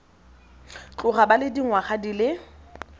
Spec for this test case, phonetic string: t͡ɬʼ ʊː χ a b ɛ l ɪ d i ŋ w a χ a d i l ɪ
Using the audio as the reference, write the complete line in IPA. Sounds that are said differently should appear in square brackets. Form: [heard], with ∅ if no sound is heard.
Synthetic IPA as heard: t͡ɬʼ [ʊ] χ a b [a] l ɪ d i ŋ w a χ a d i l ɪ